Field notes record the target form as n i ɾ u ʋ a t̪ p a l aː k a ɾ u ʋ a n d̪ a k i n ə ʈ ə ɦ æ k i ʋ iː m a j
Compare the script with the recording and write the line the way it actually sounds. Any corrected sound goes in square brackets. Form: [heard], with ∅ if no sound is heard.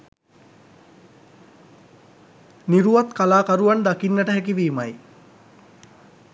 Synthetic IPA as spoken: n i ɾ u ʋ a t̪ [k] a l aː k a ɾ u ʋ a n d̪ a k i [nː] ə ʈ ə ɦ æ k i ʋ iː m a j